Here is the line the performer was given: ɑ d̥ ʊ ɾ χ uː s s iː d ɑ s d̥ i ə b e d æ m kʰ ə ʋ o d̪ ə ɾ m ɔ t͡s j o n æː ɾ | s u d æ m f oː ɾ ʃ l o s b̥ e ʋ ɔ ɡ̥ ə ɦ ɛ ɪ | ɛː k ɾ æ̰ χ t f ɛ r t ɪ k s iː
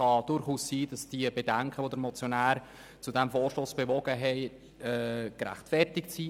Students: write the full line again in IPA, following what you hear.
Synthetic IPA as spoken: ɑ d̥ ʊ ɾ χ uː s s iː d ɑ s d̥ i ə b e d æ ŋ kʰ ə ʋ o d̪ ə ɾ m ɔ t͡s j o n æː ɾ | t͡s u d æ m f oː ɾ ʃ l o s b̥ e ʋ ɔ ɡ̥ ə ɦ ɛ ɪ | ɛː k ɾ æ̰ χ t f ɛ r t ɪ k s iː